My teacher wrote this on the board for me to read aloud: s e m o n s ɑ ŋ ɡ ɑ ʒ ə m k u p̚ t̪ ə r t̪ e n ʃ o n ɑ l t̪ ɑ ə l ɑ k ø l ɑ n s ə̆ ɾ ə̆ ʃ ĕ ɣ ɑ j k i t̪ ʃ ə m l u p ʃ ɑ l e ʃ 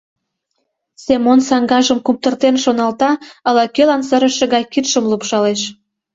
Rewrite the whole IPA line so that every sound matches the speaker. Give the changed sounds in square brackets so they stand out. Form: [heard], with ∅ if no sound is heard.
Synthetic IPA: s e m o n s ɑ ŋ ɡ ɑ ʒ ə m k u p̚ t̪ ə r t̪ e n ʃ o n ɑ l t̪ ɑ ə l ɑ k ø l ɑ n s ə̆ ɾ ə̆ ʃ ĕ ɣ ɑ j k i t̪ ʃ ə m l u p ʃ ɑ l e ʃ